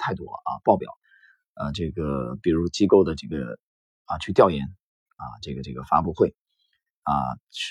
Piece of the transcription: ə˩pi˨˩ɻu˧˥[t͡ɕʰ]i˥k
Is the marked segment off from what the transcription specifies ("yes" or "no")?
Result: yes